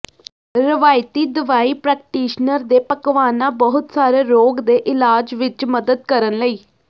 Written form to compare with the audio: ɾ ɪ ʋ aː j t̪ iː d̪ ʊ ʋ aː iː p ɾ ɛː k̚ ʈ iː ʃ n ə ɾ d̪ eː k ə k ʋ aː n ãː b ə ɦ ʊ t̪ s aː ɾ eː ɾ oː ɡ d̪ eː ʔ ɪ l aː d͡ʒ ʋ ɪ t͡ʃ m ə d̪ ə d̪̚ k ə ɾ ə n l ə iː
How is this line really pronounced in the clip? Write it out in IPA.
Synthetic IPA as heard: ɾ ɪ ʋ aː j t̪ iː d̪ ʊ ʋ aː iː p ɾ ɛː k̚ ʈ iː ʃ n ə ɾ d̪ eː p ə k ʋ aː n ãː b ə ɦ ʊ t̪ s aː ɾ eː ɾ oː ɡ d̪ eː ʔ ɪ l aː d͡ʒ ʋ ɪ t͡ʃ m ə d̪ ə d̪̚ k ə ɾ ə n l ə iː